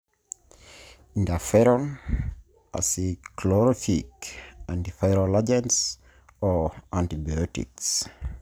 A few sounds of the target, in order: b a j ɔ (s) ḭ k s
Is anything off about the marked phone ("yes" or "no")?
yes